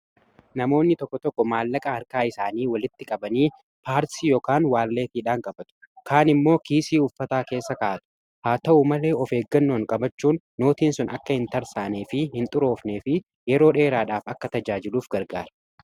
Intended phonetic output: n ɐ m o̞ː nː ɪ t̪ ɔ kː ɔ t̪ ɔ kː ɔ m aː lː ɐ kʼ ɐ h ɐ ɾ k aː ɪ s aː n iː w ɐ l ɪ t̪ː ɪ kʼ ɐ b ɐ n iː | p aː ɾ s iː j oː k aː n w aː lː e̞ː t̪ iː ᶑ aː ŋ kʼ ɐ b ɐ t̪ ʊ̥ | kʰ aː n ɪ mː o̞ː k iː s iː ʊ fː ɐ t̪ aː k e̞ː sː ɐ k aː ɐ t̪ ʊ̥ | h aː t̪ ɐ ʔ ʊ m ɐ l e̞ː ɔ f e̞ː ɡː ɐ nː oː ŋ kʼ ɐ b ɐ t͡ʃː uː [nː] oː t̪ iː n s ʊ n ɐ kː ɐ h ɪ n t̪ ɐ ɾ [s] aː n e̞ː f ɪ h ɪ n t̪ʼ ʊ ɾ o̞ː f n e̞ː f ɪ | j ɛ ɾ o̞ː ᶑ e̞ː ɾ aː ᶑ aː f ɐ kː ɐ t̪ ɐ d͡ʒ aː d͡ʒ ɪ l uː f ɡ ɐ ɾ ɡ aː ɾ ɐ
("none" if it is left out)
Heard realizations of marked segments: nː, s

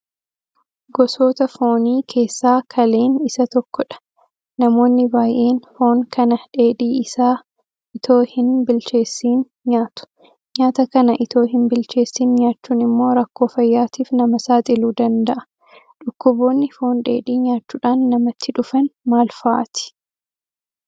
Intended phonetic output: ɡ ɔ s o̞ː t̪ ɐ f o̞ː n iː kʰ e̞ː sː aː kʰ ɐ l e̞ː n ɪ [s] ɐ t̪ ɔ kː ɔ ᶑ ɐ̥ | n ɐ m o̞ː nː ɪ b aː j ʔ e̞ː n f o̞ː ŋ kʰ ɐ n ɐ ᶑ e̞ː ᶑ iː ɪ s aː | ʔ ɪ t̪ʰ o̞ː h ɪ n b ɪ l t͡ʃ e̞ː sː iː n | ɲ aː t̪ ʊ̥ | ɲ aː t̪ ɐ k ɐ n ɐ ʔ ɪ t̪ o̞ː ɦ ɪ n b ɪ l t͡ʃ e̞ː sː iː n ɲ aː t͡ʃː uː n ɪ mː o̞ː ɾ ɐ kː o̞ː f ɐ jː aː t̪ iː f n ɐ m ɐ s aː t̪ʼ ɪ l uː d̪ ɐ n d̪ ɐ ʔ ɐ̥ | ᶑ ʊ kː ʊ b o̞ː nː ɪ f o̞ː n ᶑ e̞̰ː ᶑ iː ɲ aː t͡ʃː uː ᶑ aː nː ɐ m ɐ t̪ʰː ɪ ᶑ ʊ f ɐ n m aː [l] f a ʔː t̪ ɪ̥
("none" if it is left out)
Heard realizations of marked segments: s, l

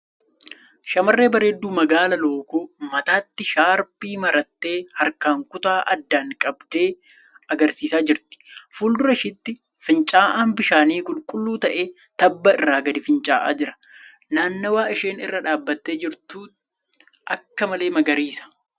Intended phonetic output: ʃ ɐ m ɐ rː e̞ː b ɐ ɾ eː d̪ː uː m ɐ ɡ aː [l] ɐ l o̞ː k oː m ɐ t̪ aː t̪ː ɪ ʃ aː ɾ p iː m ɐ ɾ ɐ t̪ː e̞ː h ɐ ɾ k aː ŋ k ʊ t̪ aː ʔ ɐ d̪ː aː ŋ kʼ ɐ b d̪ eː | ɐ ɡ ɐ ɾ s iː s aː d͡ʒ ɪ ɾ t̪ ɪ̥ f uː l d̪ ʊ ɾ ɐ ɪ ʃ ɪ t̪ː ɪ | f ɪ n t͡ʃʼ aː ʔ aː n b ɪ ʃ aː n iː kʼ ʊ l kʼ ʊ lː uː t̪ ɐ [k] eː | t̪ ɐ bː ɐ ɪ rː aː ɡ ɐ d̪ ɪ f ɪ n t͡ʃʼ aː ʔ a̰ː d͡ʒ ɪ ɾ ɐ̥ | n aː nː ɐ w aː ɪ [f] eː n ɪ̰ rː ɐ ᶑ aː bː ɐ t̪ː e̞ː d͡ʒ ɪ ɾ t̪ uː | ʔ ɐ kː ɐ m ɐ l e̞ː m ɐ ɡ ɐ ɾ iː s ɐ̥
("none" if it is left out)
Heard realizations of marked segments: l, ʔ, ʃ

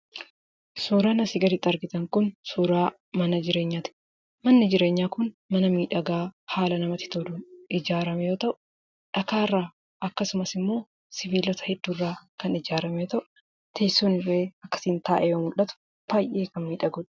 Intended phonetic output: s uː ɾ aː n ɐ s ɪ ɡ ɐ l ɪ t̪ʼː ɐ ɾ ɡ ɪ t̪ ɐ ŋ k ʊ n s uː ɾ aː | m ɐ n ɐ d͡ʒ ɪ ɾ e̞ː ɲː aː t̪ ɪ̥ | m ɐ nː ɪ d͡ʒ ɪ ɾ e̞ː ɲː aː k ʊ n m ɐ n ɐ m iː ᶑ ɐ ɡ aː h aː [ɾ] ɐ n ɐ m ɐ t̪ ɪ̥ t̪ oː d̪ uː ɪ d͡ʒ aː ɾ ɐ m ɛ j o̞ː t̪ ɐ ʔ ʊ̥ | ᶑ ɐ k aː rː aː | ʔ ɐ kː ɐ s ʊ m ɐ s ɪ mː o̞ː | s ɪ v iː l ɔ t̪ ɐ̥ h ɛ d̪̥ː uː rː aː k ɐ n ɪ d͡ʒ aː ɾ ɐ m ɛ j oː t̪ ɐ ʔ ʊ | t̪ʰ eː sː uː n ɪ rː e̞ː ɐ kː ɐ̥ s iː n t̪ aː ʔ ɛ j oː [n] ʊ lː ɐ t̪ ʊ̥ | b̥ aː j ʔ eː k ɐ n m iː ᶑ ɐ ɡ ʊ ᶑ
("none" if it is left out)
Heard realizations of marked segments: l, m

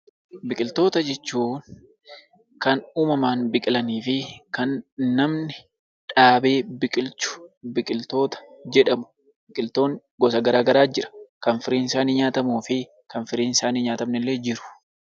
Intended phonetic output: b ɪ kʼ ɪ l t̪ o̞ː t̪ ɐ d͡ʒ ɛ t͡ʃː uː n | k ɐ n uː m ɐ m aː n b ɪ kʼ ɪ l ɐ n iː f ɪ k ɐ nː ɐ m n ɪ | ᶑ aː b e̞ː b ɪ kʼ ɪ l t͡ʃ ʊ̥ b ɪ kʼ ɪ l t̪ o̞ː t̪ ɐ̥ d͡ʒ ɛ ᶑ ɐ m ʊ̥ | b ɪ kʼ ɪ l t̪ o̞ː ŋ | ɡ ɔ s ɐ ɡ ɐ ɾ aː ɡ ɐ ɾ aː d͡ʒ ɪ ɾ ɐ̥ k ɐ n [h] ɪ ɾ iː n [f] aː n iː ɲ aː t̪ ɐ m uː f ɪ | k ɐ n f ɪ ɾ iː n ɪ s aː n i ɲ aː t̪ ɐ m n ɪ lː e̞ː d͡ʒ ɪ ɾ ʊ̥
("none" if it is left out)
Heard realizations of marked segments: f, s

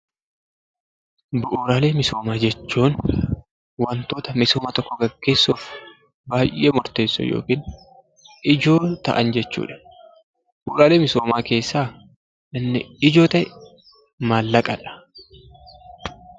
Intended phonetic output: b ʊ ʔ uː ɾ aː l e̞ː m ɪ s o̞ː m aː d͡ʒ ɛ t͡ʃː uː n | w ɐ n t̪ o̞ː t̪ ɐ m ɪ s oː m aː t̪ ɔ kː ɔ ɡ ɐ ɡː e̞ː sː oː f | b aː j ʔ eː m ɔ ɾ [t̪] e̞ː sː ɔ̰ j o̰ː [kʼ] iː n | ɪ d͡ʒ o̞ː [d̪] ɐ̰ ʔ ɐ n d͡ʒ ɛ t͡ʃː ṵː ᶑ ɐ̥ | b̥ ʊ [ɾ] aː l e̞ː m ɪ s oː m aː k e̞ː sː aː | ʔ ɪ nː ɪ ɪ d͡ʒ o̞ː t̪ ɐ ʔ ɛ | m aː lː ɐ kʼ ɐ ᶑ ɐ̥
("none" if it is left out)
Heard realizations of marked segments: t̪, k, t̪, ɾ

